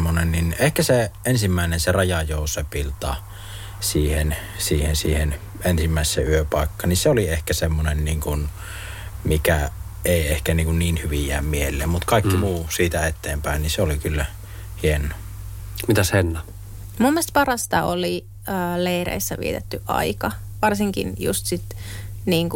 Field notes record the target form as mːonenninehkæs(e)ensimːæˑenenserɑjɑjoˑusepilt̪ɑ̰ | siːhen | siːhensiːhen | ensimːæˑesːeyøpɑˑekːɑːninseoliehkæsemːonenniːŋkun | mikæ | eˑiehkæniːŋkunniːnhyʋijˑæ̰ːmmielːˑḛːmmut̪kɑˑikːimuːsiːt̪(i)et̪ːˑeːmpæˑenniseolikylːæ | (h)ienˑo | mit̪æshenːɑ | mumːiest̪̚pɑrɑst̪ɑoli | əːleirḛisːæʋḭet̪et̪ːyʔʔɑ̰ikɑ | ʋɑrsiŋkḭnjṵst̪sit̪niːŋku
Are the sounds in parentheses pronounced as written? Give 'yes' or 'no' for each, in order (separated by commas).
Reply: yes, no, yes